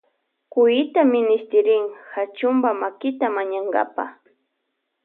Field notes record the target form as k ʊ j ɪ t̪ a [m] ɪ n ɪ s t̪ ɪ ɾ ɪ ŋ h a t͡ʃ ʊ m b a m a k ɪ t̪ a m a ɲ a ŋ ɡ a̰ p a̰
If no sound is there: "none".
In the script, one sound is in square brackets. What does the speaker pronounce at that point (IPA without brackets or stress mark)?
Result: m